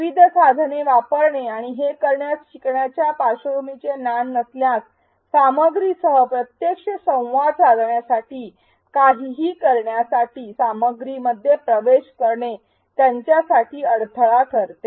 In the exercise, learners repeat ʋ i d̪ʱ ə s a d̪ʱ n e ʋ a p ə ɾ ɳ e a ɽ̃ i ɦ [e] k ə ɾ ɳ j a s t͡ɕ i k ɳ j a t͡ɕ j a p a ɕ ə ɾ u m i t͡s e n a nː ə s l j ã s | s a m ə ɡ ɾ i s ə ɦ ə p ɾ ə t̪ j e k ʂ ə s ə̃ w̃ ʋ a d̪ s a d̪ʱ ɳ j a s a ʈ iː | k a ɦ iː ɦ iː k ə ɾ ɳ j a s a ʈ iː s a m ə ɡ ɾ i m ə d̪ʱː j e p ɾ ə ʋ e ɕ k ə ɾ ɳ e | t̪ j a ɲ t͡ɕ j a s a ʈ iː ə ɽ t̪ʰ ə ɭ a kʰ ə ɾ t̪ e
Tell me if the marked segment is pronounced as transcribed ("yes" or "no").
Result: yes